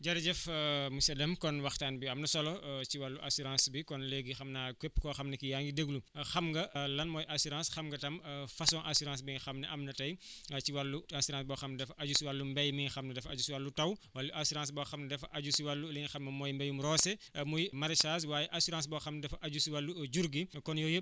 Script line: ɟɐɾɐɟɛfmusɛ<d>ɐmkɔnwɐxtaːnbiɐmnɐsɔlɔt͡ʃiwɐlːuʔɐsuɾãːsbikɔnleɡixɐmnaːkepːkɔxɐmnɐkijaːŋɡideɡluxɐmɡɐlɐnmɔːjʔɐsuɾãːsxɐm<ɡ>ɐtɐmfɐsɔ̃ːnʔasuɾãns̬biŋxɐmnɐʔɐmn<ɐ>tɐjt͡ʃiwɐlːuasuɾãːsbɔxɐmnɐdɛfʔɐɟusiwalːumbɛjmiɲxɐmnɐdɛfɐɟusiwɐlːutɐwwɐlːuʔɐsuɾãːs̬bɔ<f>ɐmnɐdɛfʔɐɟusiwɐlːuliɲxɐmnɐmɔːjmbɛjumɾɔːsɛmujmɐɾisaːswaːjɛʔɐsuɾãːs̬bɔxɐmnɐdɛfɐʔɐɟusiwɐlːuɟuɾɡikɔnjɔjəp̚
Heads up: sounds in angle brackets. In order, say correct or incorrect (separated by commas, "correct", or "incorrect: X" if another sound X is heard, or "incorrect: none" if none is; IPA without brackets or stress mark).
correct, correct, correct, incorrect: x